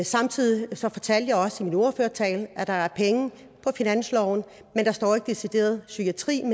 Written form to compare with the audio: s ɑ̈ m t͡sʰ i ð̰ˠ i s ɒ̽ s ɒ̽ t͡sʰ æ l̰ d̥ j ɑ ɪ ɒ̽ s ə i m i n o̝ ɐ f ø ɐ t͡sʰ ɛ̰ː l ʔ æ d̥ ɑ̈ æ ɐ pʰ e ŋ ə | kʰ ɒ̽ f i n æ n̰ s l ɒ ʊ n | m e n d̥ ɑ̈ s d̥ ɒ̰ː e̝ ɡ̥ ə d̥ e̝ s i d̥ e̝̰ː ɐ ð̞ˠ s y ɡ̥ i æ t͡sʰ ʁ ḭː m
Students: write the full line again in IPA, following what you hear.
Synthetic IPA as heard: s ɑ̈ m t͡sʰ i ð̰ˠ i s ɒ̽ f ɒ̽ t͡sʰ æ l̰ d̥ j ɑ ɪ ɒ̽ s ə i m i n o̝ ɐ f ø ɐ t͡sʰ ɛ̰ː l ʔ æ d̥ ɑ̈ æ ɐ pʰ e ŋ ə | pʰ ɒ̽ f i n æ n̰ s l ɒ ʊ n | m e n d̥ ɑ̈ s d̥ ɒ̰ː e̝ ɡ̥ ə d̥ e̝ s i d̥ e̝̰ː ɐ ð̞ˠ s y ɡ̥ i æ t͡sʰ ʁ ḭː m